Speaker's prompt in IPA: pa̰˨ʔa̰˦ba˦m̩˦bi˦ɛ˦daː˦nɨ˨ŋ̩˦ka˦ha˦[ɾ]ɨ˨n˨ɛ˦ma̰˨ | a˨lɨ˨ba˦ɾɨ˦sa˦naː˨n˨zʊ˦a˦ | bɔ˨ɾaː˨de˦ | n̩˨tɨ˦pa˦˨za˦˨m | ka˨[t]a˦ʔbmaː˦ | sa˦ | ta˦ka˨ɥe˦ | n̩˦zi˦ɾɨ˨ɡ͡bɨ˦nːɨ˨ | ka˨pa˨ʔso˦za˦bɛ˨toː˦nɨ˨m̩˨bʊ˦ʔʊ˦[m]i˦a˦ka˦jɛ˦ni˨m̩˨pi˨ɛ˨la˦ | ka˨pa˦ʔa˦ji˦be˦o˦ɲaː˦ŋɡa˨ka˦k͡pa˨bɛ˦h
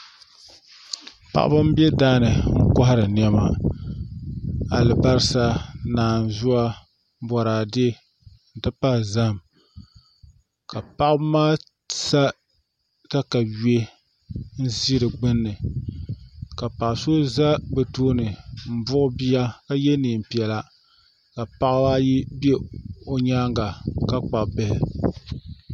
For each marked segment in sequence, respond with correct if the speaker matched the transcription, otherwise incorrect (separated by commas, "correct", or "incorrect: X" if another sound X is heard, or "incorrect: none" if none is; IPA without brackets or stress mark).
correct, incorrect: p, incorrect: b